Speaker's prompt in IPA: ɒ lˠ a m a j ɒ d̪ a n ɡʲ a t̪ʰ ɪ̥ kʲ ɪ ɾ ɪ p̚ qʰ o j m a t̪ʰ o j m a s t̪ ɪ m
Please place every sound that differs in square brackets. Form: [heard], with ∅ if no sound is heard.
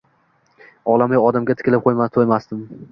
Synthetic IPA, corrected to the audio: ɒ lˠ a m a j ɒ d̪ a [m] ɡʲ a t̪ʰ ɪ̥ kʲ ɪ [l] ɪ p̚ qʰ o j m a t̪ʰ o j m a s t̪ ɪ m